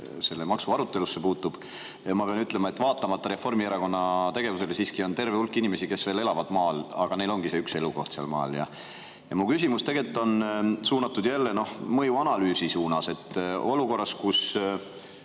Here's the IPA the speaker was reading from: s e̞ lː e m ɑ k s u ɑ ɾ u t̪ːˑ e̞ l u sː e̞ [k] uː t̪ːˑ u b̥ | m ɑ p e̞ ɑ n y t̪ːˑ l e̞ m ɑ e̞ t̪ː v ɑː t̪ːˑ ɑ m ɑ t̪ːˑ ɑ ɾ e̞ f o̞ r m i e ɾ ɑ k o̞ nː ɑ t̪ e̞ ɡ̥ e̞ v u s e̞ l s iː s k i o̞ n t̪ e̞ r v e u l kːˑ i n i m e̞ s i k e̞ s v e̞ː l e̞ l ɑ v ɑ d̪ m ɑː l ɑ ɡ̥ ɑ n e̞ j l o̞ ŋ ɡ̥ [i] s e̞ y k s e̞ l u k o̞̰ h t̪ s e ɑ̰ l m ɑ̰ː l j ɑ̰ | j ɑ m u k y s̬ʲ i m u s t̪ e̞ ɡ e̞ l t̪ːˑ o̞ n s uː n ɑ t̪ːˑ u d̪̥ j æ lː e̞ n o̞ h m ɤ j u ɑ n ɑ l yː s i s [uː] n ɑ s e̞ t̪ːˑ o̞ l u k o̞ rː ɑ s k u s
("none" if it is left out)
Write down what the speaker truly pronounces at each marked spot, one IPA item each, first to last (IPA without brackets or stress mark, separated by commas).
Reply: p, i, uː